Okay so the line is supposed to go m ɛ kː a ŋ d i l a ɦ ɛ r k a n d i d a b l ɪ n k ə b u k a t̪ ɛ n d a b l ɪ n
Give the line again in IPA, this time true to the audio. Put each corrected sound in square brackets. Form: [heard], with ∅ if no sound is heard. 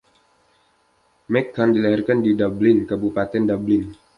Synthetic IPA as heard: m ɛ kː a [n] d i l a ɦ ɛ r k a n d i d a b l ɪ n k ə b u [p] a t̪ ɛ n d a b l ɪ n